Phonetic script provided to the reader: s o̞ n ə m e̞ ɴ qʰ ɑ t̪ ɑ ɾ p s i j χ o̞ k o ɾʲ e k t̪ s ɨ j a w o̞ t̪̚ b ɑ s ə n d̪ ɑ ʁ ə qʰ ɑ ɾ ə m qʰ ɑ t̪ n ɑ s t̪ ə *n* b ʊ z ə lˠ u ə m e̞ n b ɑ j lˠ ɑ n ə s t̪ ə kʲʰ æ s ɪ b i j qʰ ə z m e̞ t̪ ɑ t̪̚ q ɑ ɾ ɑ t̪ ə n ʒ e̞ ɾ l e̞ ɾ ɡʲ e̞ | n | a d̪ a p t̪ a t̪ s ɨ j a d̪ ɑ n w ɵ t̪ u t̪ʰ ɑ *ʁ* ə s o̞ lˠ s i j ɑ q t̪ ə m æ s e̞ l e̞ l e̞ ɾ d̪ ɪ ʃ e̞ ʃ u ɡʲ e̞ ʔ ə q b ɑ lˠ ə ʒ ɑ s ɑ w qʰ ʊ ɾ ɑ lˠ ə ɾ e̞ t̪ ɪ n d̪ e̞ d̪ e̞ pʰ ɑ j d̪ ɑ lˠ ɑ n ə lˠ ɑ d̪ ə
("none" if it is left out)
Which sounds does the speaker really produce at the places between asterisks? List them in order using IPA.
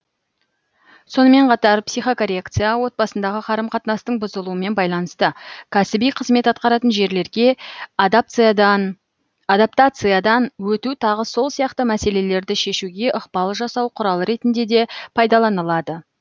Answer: ɴ, ʁ

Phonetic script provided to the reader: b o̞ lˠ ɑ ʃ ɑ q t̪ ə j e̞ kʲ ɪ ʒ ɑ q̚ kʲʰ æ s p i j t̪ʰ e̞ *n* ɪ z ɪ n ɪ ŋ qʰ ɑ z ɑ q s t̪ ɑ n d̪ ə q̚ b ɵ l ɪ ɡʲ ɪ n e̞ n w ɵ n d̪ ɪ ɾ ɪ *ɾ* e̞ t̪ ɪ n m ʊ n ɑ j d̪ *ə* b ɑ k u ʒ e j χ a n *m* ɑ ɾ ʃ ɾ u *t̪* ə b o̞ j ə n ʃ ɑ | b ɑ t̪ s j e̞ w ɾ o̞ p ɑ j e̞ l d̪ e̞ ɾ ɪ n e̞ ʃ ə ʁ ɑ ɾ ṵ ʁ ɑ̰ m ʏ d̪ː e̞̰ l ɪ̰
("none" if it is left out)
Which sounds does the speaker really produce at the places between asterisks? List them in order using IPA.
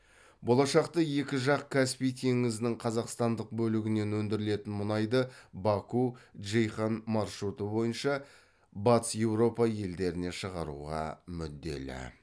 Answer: ŋ, l, ə, m, t̪

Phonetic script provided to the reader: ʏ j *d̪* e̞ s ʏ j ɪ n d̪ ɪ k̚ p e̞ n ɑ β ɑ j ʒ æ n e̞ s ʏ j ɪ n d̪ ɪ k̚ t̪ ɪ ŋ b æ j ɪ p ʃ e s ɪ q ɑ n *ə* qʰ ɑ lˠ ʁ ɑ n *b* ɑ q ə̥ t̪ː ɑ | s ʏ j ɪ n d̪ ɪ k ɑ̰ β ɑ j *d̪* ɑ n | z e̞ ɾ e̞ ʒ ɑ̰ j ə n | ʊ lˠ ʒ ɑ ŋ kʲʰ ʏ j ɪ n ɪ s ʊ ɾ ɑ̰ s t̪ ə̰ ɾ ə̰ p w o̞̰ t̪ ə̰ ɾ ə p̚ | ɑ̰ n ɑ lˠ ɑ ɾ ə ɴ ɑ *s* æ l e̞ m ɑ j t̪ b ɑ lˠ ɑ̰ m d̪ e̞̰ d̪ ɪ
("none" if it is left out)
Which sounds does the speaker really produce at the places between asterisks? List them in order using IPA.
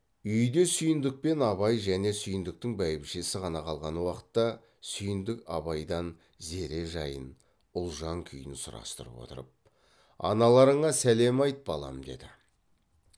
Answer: d̪, ɑ, w, d̪, s

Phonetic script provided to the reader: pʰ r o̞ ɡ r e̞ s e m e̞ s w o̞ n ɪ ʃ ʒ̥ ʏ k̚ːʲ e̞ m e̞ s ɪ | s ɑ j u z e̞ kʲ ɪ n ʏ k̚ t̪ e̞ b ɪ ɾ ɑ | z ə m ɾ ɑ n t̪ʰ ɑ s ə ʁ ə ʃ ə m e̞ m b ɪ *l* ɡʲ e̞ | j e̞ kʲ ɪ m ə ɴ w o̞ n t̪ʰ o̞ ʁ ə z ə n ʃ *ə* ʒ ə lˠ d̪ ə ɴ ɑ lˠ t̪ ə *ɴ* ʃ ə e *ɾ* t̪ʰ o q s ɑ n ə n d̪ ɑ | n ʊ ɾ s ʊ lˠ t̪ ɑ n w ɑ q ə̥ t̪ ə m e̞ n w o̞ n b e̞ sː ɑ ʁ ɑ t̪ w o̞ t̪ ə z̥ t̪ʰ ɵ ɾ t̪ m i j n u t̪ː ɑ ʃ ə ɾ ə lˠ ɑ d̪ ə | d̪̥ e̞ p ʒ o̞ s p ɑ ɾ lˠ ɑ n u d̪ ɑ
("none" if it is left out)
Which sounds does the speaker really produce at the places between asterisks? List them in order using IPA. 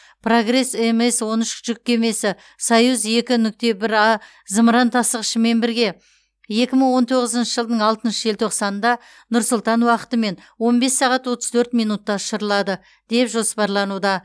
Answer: ɾ, ə, n, l

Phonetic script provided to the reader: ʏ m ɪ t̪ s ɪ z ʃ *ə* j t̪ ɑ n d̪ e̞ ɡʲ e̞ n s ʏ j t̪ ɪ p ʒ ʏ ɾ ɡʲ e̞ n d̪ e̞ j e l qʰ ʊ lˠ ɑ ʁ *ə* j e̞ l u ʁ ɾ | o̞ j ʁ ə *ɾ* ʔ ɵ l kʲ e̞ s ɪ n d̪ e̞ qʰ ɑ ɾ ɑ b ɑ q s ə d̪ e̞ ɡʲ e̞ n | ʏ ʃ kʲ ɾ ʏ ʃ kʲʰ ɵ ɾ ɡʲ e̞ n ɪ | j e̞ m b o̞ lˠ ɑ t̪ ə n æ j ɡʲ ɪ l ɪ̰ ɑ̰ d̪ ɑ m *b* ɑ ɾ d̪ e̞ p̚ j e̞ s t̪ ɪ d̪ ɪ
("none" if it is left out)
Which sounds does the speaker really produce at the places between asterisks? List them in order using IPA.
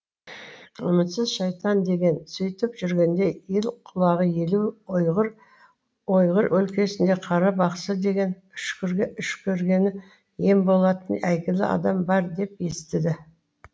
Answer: ɑ, ə, ɾ, b

